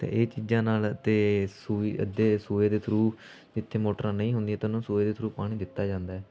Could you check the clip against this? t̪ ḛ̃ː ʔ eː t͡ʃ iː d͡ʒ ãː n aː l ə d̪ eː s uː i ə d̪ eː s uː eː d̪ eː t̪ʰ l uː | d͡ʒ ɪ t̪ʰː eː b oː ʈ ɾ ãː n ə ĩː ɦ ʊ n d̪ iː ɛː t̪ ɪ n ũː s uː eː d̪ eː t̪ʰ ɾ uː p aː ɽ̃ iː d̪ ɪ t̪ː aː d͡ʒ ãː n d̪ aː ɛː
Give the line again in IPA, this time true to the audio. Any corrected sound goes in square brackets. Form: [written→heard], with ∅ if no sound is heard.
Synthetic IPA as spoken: t̪ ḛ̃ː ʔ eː t͡ʃ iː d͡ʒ ãː n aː l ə [d̪→t̪] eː s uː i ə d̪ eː s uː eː d̪ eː t̪ʰ [l→ɾ] uː | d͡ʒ ɪ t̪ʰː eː [b→m] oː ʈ ɾ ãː n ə ĩː ɦ ʊ n d̪ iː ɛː t̪ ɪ n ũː s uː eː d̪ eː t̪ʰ ɾ uː p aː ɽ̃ iː d̪ ɪ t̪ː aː d͡ʒ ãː n d̪ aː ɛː